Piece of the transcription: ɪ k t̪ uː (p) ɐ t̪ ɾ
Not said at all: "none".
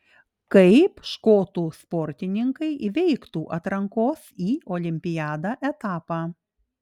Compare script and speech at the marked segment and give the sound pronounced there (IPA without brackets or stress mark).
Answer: ʔ